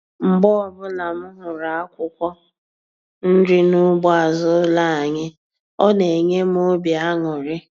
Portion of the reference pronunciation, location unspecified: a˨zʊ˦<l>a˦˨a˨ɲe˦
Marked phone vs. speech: correct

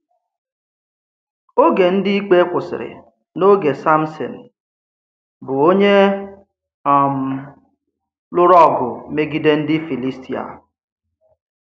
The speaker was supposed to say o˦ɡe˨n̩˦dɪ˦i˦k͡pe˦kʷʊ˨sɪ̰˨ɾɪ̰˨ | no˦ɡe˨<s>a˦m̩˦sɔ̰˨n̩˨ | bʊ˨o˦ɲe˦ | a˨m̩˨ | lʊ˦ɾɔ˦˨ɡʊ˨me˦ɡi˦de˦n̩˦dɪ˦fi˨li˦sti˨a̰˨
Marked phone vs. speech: correct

